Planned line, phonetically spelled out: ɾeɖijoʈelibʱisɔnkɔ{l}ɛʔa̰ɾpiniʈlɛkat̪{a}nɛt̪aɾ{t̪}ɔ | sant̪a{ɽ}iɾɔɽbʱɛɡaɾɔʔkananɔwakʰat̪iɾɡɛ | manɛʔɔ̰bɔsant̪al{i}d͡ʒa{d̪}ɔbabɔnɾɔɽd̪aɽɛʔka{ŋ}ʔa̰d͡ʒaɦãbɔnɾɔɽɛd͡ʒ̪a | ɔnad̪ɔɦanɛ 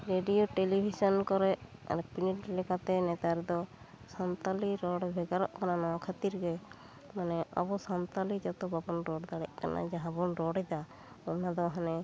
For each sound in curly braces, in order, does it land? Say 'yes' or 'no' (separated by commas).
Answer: no, no, no, no, yes, no, no